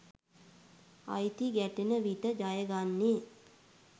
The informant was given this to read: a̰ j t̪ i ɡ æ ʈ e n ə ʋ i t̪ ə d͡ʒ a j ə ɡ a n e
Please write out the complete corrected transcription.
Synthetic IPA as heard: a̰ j t̪ i ɡ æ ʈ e n ə ʋ i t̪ ə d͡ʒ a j ə ɡ a nː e